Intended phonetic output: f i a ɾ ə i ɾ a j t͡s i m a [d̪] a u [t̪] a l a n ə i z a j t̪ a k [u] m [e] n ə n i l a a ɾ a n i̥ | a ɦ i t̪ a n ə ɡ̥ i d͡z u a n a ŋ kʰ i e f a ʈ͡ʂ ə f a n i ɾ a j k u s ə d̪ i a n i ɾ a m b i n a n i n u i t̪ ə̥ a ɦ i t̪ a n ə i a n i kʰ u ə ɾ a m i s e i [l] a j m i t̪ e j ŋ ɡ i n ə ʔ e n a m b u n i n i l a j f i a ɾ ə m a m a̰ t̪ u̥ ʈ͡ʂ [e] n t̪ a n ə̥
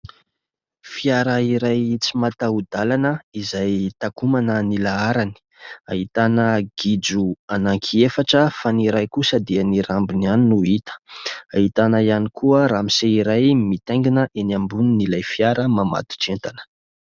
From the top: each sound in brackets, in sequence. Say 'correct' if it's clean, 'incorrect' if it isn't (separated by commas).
incorrect, incorrect, correct, incorrect, incorrect, correct